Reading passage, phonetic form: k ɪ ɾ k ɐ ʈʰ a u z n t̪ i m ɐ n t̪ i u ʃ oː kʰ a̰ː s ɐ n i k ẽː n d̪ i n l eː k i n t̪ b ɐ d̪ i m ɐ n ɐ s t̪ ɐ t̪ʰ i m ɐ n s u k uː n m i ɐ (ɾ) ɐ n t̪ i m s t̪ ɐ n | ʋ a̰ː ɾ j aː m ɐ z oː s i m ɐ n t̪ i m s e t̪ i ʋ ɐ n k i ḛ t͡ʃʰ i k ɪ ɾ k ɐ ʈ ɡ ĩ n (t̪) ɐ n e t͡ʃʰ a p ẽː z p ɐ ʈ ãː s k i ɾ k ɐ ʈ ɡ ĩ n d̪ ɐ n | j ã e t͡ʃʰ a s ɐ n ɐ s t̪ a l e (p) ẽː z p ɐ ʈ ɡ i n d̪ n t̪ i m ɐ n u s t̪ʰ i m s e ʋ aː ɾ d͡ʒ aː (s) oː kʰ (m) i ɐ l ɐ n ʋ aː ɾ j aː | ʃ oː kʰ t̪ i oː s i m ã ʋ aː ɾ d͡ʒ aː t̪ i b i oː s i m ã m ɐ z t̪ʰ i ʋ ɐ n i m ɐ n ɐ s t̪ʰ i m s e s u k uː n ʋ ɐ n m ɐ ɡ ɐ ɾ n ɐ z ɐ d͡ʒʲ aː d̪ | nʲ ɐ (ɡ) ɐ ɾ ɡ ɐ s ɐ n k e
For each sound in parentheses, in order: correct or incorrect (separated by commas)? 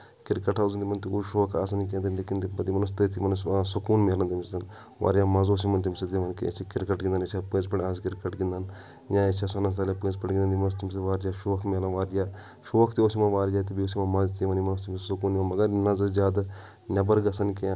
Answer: incorrect, incorrect, correct, incorrect, correct, incorrect